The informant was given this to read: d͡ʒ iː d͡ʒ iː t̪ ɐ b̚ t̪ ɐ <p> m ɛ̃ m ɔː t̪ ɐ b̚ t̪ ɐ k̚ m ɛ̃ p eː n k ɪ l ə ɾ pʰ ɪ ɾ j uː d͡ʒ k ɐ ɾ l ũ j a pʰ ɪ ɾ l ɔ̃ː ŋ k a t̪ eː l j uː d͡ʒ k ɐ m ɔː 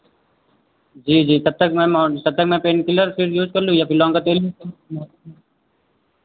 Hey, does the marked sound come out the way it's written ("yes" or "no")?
no